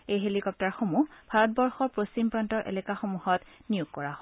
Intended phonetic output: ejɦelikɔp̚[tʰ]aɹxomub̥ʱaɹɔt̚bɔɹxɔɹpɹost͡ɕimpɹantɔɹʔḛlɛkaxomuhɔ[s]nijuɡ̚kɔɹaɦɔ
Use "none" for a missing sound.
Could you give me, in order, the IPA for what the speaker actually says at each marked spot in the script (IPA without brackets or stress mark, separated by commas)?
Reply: t, t